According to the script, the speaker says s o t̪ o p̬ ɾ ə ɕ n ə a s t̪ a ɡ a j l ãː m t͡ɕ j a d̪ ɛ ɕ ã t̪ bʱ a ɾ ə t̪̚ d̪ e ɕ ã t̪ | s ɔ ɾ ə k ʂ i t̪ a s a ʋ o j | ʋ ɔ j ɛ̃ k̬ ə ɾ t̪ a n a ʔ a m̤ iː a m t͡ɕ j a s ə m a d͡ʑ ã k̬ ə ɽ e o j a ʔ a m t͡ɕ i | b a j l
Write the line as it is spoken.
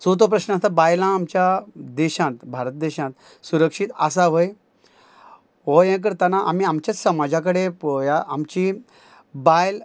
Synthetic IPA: s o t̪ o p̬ ɾ ə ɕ n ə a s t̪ a b a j l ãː m t͡ɕ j a d̪ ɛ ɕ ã t̪ bʱ a ɾ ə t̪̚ d̪ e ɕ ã t̪ | s u ɾ ə k ʂ i t̪ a s a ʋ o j | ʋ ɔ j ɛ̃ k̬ ə ɾ t̪ a n a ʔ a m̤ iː a m t͡ɕ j a s ə m a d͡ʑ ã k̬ ə ɽ e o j a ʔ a m t͡ɕ i | b a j l